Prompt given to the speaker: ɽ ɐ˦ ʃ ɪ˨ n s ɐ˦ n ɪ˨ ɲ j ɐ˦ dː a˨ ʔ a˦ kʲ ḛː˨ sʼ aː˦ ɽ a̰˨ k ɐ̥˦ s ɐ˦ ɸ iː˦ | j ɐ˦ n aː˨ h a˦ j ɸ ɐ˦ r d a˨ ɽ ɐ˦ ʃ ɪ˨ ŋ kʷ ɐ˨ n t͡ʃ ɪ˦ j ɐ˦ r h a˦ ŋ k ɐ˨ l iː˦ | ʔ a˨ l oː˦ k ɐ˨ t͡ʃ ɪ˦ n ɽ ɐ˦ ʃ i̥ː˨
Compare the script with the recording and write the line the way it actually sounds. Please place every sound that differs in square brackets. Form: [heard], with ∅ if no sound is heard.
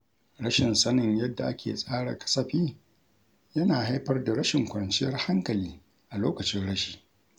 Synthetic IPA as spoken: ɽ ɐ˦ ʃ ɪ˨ n s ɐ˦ n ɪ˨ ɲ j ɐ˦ dː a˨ ʔ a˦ kʲ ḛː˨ sʼ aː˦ ɽ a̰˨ k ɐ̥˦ s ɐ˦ ɸ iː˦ | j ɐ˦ n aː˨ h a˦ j ɸ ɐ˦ r d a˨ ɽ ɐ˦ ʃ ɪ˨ ŋ kʷ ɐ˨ n t͡ʃ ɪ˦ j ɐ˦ r h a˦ ŋ k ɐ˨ l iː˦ | ʔ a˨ l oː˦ k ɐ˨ t͡ʃ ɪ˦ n ɽ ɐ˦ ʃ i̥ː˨